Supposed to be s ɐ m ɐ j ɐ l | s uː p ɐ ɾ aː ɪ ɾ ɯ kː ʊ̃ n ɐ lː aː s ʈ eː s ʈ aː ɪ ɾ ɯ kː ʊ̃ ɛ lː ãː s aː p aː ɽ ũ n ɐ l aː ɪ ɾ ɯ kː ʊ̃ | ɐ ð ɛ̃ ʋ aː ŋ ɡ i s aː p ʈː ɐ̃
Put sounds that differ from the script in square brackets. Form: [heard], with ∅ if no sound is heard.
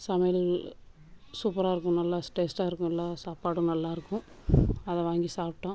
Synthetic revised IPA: s ɐ m ɐ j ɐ l | s uː p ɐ ɾ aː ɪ ɾ ɯ kː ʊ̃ n ɐ lː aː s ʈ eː s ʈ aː ɪ ɾ ɯ kː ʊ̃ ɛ lː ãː s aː p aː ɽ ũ n ɐ [lː] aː ɪ ɾ ɯ kː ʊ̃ | ɐ ð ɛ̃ ʋ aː ŋ ɡ i s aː p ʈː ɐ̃